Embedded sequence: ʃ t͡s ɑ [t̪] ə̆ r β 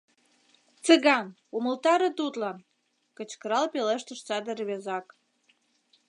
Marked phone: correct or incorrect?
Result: incorrect